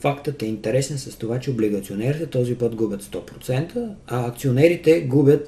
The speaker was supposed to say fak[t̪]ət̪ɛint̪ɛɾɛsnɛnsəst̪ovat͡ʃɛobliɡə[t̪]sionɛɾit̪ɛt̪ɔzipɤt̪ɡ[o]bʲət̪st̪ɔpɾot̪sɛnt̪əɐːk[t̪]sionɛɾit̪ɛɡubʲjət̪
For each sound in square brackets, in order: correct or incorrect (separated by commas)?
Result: correct, correct, incorrect, correct